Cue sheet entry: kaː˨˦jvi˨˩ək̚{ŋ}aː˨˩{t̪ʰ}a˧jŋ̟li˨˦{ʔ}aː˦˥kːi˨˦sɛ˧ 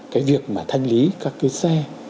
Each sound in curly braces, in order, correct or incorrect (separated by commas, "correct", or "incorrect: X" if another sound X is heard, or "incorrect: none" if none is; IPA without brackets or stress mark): incorrect: m, correct, incorrect: k